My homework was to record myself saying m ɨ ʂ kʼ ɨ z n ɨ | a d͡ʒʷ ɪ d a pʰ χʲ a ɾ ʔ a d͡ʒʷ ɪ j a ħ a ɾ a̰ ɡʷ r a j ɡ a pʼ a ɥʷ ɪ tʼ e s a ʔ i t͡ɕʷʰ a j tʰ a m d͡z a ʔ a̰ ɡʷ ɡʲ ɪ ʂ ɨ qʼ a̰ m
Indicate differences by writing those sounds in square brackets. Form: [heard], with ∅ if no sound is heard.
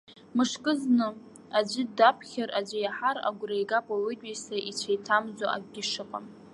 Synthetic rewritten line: m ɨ ʂ kʼ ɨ z n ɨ | a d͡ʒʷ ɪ d a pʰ χʲ a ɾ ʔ a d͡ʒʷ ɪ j a ħ a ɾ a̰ ɡʷ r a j ɡ a pʼ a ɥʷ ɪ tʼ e s a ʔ i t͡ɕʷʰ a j tʰ a m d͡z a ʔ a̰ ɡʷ ɡʲ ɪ ʂ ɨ qʼ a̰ m